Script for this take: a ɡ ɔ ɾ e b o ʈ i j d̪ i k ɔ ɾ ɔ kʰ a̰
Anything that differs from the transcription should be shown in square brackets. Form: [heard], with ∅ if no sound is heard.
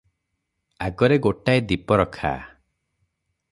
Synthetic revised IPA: a ɡ ɔ ɾ e [ɡ] o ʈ [a] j d̪ i [p] ɔ ɾ ɔ kʰ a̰